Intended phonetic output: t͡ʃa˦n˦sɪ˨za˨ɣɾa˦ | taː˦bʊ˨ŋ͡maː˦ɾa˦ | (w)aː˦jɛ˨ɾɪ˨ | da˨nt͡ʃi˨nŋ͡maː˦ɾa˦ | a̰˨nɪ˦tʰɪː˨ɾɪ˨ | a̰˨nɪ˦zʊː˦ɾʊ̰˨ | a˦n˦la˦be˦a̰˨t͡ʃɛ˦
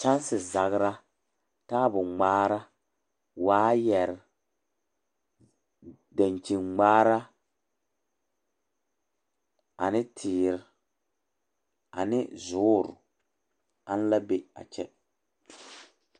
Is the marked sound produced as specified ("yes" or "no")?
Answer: yes